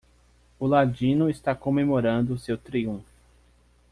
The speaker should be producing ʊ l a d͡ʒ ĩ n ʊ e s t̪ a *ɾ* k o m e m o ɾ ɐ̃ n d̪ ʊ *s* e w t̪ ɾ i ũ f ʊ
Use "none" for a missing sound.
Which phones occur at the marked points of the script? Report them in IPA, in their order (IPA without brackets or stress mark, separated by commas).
none, s